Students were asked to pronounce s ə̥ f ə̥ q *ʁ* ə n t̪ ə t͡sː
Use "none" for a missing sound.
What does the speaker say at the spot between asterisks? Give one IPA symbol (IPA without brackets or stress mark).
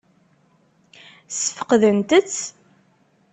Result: ð